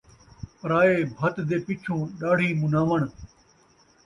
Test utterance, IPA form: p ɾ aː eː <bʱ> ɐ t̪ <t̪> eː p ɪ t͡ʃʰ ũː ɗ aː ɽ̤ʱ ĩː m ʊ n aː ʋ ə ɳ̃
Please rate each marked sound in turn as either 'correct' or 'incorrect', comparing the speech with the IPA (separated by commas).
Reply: correct, incorrect